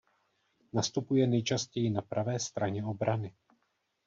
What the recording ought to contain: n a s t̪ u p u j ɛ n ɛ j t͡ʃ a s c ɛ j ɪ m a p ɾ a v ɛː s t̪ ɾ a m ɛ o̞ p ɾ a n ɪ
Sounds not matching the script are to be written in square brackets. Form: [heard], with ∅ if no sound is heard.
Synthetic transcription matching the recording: n a s t̪ u p u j ɛ n ɛ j t͡ʃ a s c ɛ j ɪ [n] a p ɾ a v ɛː s t̪ ɾ a [ɲ] ɛ o̞ [b] ɾ a n ɪ